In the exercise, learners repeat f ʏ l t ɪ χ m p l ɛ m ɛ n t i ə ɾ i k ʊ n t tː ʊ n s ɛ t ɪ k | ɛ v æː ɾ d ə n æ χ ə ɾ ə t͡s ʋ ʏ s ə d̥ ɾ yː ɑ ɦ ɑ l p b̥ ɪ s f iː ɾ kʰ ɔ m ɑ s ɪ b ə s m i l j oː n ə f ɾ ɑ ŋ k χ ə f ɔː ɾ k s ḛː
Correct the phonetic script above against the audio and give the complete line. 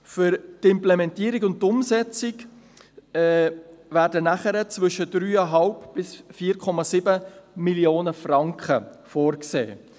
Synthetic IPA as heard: f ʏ ɾ t ɪ m p l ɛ m ɛ n t i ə ɾ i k ʊ n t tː ʊ m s ɛ t͡s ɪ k | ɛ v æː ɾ d ə n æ χ ə ɾ ə t͡s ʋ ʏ ʃ ə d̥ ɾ yː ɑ ɦ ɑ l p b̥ ɪ s f iː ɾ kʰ ɔ m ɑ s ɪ b ə m i l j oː n ə f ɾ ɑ ŋ k χ ə f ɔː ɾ k s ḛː